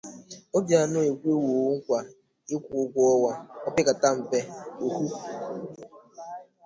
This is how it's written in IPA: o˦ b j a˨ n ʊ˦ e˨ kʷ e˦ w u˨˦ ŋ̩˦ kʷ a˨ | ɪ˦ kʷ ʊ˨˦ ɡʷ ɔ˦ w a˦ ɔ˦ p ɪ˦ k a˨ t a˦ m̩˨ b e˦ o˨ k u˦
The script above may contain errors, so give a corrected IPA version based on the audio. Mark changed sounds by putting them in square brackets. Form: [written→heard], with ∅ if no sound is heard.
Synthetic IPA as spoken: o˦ b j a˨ n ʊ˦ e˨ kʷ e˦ w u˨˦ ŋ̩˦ kʷ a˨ | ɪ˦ kʷ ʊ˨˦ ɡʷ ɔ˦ w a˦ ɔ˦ p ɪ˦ k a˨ t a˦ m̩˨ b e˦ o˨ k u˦